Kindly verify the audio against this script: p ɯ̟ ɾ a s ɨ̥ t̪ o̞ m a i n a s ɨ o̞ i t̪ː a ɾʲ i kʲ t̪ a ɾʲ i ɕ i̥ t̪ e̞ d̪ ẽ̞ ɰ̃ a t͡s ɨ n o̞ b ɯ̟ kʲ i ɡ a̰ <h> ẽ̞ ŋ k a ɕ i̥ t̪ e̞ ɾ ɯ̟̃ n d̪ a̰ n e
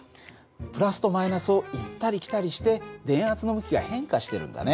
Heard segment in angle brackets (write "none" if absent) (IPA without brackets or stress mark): h